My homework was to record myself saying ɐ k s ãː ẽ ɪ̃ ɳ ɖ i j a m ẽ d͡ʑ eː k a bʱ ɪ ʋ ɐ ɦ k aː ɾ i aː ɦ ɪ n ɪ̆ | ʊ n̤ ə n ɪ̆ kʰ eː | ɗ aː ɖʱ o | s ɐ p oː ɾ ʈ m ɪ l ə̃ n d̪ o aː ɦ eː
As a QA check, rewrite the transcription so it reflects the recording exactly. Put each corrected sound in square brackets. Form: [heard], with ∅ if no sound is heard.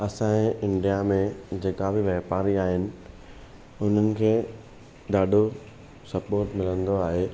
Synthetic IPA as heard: ɐ [∅] s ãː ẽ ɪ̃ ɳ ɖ i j a m ẽ d͡ʑ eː k a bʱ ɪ ʋ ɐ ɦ [p] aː ɾ i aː ɦ ɪ n ɪ̆ | ʊ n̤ ə n ɪ̆ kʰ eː | ɗ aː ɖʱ o | s ɐ p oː ɾ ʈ m ɪ l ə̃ n d̪ o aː ɦ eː